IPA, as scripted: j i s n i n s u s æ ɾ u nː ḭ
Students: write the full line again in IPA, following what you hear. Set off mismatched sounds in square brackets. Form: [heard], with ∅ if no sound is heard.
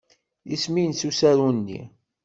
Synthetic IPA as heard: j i s [m] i n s u s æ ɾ u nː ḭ

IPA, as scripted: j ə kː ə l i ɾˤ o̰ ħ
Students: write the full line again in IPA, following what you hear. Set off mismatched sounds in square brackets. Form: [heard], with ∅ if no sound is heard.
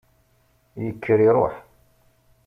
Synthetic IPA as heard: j ə kː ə [ɾ] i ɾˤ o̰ ħ

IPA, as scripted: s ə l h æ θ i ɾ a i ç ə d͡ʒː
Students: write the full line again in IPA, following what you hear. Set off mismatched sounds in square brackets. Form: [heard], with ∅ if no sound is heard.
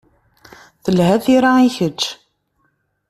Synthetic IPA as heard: [θ] ə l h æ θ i ɾ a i ç ə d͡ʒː

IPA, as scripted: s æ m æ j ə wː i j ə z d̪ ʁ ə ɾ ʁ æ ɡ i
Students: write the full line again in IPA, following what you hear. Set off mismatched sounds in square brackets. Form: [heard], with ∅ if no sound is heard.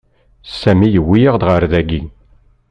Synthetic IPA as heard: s æ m [i] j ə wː i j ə [ʁ] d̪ ʁ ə ɾ [ð] æ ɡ i

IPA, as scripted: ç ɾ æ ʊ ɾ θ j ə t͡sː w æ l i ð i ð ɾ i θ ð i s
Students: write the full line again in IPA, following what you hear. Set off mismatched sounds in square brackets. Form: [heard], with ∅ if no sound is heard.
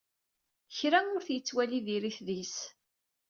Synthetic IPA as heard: ç ɾ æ ʊ ɾ θ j ə t͡sː w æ l i ð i [∅] ɾ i θ ð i s

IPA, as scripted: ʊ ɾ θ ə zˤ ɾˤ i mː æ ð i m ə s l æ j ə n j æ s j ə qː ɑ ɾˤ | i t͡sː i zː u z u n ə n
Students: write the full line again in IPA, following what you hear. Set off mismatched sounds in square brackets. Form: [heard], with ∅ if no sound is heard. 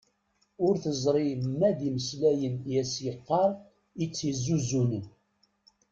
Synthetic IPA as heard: ʊ ɾ θ ə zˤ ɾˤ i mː æ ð i m ə s l æ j ə n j æ s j ə qː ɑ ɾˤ | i t͡sː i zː u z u n ə n

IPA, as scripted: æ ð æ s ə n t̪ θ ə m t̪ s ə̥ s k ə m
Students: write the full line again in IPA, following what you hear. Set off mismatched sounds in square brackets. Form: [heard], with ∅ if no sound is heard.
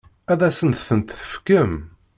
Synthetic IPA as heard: æ ð æ s ə n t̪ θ ə [n] t̪ [θ] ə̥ [f] k ə m

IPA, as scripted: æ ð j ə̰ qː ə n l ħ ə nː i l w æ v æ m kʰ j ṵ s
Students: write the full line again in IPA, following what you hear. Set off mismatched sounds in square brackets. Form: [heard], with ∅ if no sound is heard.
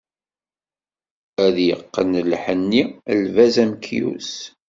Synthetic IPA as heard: æ ð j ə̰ qː ə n l ħ ə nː i l [v] æ [z] æ m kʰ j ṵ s

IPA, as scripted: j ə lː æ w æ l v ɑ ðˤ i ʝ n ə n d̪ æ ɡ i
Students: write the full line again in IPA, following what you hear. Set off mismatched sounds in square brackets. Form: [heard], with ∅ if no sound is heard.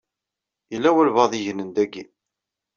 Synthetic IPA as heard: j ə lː æ w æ l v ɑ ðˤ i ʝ n ə n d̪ æ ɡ i

